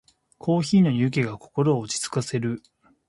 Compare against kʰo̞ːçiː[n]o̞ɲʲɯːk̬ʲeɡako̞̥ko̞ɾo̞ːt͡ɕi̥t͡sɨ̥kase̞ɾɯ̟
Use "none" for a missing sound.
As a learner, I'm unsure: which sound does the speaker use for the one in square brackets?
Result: n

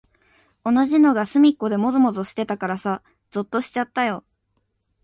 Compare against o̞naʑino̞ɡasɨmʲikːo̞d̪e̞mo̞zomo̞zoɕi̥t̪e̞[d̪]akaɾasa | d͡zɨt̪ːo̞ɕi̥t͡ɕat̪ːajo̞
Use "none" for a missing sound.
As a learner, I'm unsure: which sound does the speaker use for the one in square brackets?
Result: t̪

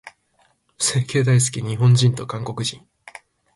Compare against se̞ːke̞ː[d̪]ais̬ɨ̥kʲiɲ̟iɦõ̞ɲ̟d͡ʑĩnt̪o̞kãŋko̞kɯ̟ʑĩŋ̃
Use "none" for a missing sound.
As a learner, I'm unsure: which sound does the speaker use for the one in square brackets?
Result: d̪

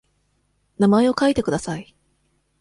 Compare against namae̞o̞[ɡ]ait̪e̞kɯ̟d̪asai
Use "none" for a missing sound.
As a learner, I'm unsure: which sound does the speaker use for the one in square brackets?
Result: k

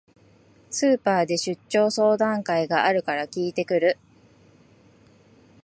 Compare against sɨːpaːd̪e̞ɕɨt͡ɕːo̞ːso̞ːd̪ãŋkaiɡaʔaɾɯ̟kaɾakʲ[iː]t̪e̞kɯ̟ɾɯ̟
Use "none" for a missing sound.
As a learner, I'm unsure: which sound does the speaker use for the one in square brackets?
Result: iː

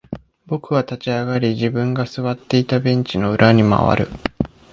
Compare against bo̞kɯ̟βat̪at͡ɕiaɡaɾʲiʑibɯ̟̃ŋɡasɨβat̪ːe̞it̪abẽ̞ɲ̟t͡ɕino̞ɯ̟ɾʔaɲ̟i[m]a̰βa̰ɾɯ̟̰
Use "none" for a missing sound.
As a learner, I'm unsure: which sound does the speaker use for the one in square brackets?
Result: m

